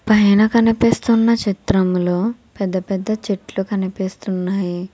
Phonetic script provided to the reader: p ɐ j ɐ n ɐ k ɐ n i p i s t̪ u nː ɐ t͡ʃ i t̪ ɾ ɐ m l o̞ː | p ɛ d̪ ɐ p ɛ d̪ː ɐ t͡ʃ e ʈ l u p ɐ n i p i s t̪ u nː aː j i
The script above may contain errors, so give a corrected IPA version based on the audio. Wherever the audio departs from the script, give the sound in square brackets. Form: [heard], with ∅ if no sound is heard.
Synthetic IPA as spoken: p ɐ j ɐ n ɐ k ɐ n i p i s t̪ u nː ɐ t͡ʃ i t̪ ɾ ɐ m l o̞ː | p ɛ [d̪ː] ɐ p ɛ d̪ː ɐ t͡ʃ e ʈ l u [k] ɐ n i p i s t̪ u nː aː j i